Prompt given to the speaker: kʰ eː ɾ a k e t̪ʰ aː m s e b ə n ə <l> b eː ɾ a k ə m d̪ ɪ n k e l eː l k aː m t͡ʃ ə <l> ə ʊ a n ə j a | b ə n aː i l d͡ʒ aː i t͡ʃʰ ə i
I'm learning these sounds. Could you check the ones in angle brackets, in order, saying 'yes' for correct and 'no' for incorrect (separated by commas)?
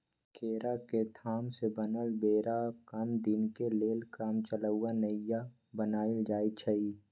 yes, yes